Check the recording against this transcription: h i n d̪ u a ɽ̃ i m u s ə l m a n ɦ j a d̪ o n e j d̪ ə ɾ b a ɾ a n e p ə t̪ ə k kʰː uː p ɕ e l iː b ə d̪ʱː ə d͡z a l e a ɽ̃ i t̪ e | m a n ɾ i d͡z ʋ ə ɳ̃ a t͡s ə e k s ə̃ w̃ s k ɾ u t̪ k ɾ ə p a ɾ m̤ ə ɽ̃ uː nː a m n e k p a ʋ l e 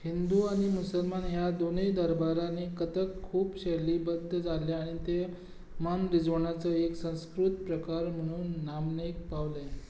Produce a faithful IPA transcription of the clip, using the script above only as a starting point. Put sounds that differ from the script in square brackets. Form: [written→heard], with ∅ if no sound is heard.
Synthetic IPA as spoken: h i n d̪ u a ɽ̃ i m u s ə l m a n ɦ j a d̪ o n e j d̪ ə ɾ b a ɾ a n e [p→k] ə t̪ ə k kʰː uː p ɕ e l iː b ə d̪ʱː ə d͡z a l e a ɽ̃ i t̪ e | m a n ɾ i d͡z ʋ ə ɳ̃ a t͡s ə e k s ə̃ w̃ s k ɾ u t̪ [k→p] ɾ ə [p→k] a ɾ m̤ ə ɽ̃ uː nː a m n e k p a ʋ l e